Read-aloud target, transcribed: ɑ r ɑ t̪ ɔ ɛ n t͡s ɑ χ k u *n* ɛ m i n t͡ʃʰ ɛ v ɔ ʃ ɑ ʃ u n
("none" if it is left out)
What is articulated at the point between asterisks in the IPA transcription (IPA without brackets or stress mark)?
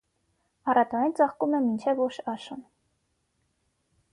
m